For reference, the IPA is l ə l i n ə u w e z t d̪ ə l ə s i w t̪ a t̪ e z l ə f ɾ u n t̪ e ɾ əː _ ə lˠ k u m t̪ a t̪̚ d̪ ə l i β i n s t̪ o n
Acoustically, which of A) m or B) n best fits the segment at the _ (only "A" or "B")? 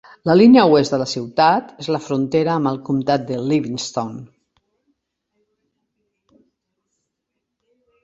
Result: A